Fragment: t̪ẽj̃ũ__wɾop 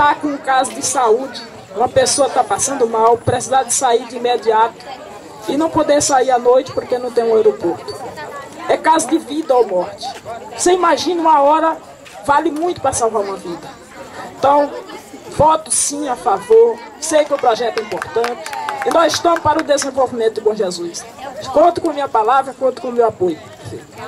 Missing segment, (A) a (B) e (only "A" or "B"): B